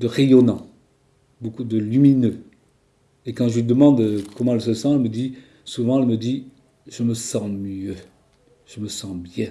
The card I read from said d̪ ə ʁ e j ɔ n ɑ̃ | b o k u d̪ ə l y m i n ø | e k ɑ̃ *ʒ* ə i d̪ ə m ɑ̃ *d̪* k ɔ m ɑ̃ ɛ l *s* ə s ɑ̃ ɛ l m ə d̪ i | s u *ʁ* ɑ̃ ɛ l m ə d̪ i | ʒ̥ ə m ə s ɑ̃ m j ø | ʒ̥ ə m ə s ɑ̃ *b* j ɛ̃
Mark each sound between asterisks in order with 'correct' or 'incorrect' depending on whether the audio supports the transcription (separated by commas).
correct, correct, correct, incorrect, correct